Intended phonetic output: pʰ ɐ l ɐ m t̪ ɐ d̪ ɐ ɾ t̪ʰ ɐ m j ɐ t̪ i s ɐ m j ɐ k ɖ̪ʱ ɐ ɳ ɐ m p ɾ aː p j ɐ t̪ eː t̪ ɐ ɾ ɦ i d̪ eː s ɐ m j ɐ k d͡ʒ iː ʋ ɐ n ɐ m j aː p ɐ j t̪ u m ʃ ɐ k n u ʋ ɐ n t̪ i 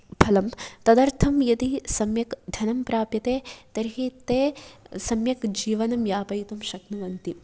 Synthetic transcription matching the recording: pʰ ɐ l ɐ m t̪ ɐ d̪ ɐ ɾ t̪ʰ ɐ m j ɐ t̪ i s ɐ m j ɐ k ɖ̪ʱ ɐ n ɐ m p ɾ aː p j ɐ t̪ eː t̪ ɐ ɾ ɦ i t̪ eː s ɐ m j ɐ k d͡ʒ iː ʋ ɐ n ɐ m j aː p ɐ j t̪ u m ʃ ɐ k n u ʋ ɐ n t̪ i

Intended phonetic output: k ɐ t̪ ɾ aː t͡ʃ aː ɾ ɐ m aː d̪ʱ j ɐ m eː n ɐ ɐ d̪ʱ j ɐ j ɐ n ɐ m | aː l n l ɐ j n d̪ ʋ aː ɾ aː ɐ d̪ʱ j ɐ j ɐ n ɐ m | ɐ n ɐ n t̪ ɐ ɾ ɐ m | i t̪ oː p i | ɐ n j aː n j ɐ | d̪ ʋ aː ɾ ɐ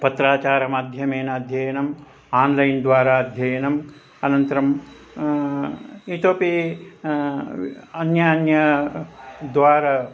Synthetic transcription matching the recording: p ɐ t̪ ɾ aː t͡ʃ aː ɾ ɐ m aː d̪ʱ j ɐ m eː n ɐ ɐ d̪ʱ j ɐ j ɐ n ɐ m | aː n l ɐ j n d̪ ʋ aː ɾ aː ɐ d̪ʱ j ɐ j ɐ n ɐ m | ɐ n ɐ n t̪ ɐ ɾ ɐ m | i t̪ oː p i | ɐ n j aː n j ɐ | d̪ ʋ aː ɾ ɐ

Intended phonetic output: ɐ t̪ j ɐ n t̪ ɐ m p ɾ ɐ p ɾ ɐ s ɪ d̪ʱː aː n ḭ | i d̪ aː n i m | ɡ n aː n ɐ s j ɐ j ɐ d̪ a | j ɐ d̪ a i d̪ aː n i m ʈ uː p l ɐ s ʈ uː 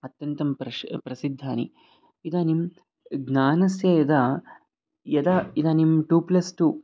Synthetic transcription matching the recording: ɐ t̪ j ɐ n t̪ ɐ m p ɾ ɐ p ɾ ɐ s i d̪ʱː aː n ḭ | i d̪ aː n i m | ɡ n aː n ɐ s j ɐ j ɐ d̪ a | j ɐ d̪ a i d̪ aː n i m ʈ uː p l ɐ s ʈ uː

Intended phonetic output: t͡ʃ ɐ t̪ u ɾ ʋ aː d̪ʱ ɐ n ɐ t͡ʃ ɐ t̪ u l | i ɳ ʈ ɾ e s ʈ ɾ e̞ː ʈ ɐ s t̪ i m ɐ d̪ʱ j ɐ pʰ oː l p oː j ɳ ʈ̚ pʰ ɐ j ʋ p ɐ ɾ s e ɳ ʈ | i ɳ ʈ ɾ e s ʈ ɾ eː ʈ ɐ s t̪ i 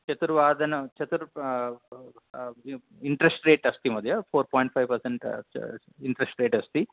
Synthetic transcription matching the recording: t͡ʃ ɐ t̪ u ɾ ʋ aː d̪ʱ ɐ n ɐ t͡ʃ ɐ t̪ u ɾ | i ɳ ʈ ɾ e s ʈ ɾ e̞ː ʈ ɐ s t̪ i m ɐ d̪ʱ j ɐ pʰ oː ɾ p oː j ɳ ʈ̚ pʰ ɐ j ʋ p ɐ ɾ s e ɳ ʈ | i ɳ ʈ ɾ e s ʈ ɾ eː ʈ ɐ s t̪ i

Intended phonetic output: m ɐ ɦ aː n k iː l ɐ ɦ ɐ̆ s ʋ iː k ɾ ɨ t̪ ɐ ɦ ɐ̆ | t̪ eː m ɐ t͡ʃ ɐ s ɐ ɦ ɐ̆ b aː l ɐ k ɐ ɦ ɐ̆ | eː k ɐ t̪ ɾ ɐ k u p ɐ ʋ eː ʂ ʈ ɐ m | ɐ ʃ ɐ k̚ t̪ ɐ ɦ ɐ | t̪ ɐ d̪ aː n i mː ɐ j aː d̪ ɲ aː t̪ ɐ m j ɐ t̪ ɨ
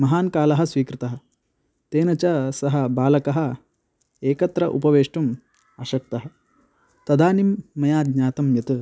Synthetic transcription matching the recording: m ɐ ɦ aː n k aː l ɐ ɦ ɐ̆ s ʋ iː k ɾ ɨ t̪ ɐ ɦ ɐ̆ | t̪ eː n ɐ t͡ʃ ɐ s ɐ ɦ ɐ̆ b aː l ɐ k ɐ ɦ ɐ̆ | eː k ɐ t̪ ɾ ɐ ʔ u p ɐ ʋ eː ʂ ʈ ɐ m | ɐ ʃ ɐ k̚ t̪ ɐ ɦ ɐ | t̪ ɐ d̪ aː n i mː ɐ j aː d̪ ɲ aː t̪ ɐ m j ɐ t̪ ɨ

